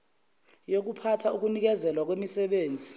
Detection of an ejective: absent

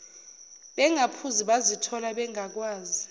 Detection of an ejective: absent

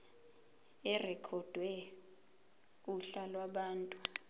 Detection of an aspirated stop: present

